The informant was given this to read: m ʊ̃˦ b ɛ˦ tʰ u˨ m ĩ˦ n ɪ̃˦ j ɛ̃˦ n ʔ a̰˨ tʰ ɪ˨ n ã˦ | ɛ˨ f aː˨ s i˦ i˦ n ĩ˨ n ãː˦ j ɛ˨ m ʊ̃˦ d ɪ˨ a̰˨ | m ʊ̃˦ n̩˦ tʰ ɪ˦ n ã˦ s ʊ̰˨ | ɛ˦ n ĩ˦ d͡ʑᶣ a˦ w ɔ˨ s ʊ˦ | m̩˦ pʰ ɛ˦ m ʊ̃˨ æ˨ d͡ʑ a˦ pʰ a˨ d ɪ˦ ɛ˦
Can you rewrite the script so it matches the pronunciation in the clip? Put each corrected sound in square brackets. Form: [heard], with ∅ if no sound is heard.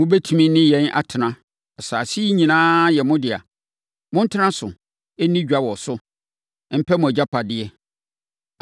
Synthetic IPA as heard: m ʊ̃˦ b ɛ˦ tʰ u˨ m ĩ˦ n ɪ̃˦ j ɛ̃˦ n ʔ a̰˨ tʰ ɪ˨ n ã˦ | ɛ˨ [s] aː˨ s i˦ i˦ [ɲ] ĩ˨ n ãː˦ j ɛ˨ m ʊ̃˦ d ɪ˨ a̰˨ | m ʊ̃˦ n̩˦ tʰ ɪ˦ n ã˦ s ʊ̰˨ | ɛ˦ n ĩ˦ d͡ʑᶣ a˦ w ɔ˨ s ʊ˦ | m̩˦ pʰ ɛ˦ m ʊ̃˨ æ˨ d͡ʑ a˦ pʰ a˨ d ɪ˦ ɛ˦